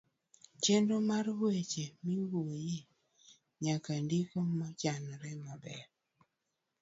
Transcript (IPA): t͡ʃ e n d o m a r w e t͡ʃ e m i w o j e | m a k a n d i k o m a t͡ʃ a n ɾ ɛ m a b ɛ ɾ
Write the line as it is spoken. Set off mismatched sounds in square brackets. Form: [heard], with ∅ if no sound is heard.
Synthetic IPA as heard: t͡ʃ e n d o m a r w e t͡ʃ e m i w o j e | [ɲ] a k a n d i k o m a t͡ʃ a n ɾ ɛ m a b ɛ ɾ